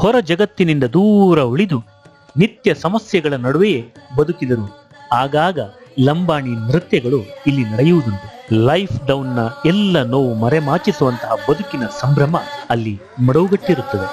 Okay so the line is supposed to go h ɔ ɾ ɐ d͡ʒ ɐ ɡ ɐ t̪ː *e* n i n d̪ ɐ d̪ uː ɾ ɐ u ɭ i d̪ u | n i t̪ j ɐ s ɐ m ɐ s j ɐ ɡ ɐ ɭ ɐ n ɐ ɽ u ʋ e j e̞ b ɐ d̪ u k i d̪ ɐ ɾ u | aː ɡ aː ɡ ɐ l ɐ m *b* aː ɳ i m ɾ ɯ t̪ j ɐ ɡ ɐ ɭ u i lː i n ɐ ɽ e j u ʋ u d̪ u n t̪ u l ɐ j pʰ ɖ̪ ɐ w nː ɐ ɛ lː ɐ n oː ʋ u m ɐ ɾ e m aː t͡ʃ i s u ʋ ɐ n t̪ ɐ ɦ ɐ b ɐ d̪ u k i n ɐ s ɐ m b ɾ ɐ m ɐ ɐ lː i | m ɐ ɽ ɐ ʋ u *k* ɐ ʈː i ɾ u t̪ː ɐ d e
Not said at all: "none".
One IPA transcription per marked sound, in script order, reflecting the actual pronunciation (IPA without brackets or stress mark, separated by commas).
i, b, ɡ